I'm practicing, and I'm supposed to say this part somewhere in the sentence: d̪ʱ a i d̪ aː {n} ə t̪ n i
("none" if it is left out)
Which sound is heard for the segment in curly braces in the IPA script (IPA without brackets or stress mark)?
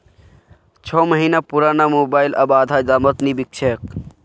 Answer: m